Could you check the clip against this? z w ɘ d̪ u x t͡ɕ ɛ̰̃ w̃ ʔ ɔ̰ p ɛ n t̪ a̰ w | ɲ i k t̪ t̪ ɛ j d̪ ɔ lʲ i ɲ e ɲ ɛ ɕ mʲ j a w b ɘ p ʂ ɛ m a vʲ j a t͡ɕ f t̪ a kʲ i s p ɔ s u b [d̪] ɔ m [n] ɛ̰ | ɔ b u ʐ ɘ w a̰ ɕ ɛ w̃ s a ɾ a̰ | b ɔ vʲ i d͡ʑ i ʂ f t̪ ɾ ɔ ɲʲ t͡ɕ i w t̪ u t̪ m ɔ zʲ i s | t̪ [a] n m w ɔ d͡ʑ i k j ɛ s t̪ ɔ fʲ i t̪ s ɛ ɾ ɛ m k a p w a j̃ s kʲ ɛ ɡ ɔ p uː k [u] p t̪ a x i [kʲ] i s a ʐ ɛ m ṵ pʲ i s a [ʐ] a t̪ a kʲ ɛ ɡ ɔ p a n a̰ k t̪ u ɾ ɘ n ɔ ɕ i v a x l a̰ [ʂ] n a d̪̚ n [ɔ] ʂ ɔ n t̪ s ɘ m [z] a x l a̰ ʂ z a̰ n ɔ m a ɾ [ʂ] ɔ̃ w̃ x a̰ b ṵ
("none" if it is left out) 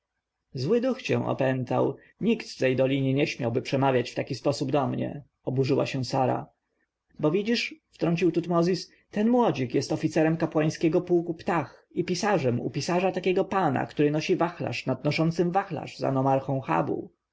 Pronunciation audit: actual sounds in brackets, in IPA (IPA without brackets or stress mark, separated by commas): d̪, ɲ, ɛ, u, pʲ, ʐ, ʂ, ɔ, v, x